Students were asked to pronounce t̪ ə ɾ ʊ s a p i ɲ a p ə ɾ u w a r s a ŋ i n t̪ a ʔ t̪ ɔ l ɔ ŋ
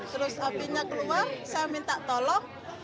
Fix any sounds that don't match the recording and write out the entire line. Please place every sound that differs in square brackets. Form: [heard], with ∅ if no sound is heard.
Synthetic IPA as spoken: t̪ ə ɾ ʊ s a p i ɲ a [k] ə [l] u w a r s a [m] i n t̪ a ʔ t̪ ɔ l ɔ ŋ